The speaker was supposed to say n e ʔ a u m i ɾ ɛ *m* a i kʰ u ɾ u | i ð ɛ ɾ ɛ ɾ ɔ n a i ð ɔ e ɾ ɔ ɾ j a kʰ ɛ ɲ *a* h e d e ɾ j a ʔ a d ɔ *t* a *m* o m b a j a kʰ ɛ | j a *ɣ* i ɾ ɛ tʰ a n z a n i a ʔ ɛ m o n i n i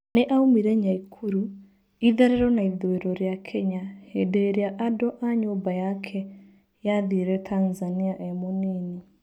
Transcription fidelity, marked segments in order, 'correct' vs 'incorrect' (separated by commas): incorrect, correct, incorrect, incorrect, incorrect